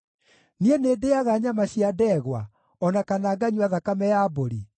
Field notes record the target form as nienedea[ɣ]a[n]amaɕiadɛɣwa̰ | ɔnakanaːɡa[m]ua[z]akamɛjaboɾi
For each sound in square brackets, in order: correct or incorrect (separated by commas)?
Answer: correct, incorrect, incorrect, incorrect